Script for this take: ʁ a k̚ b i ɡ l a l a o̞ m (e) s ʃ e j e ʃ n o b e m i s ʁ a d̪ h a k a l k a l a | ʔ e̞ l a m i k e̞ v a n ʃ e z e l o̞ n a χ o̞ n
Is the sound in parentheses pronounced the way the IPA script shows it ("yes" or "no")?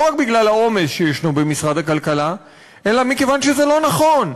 yes